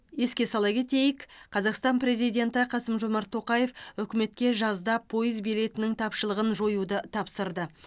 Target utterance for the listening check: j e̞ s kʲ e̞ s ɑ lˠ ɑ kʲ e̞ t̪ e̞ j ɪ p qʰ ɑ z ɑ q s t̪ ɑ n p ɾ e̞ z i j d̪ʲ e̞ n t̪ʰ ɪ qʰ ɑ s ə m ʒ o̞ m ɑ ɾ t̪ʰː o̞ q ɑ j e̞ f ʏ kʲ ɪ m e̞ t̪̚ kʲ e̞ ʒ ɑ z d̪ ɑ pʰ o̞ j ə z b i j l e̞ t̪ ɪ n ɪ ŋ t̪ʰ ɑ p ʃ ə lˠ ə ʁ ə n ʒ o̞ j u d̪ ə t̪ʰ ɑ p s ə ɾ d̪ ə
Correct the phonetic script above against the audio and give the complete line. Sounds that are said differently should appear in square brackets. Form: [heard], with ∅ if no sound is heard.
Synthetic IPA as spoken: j e̞ s kʲ e̞ s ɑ lˠ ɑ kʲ e̞ t̪ e̞ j ɪ [k] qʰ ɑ z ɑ q s t̪ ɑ n p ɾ e̞ z i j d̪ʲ e̞ n [t̪] ɪ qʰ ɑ s ə m ʒ o̞ m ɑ ɾ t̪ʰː o̞ q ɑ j e̞ f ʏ kʲ ɪ m e̞ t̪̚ kʲ e̞ ʒ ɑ z d̪ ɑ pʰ o̞ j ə z b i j l e̞ t̪ ɪ n ɪ ŋ t̪ʰ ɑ p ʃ ə lˠ ə ʁ ə n ʒ o̞ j u d̪ ə t̪ʰ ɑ p s ə ɾ d̪ ə